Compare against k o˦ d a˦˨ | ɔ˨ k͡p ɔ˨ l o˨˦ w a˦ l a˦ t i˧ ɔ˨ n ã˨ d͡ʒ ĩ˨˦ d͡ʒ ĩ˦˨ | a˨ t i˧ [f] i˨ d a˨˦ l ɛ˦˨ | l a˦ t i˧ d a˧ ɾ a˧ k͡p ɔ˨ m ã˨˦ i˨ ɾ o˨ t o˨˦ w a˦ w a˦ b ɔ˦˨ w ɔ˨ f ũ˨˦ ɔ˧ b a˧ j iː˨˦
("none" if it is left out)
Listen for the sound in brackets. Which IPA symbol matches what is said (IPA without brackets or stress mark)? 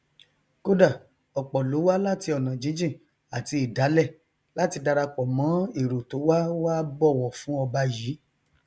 none